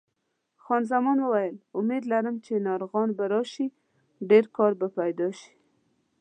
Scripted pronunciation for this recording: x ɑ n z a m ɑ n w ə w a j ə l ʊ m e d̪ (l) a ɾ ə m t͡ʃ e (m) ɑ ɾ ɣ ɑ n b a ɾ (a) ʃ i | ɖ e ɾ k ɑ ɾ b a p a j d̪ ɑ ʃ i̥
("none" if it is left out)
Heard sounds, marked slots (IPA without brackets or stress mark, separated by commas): l, n, ɑ